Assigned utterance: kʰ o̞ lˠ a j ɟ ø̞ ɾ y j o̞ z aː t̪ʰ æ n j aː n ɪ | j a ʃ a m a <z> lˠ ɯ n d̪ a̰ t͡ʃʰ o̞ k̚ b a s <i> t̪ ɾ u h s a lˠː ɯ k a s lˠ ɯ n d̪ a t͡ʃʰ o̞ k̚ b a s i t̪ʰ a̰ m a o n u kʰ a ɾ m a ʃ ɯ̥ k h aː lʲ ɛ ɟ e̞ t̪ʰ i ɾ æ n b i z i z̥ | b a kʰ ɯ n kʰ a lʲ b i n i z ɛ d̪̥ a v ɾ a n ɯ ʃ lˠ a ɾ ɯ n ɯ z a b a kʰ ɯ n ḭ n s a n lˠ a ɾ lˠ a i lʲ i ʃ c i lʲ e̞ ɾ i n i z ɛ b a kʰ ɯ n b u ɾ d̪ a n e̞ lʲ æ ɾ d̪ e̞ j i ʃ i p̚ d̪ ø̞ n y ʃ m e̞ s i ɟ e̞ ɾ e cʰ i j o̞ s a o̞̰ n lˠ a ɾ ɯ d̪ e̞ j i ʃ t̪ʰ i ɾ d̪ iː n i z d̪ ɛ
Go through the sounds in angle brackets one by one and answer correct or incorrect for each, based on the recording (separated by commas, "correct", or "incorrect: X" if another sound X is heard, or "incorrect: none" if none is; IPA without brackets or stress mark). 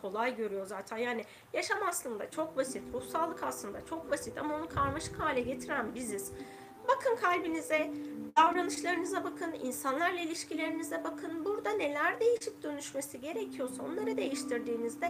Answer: incorrect: s, correct